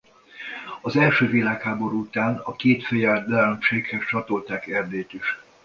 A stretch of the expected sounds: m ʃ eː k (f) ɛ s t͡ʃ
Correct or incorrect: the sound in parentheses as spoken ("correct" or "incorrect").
incorrect